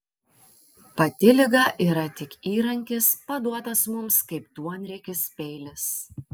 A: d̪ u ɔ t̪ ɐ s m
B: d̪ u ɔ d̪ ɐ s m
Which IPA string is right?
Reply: A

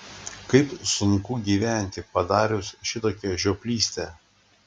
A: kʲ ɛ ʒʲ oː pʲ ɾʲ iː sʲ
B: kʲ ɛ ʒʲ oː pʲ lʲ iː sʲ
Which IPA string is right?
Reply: B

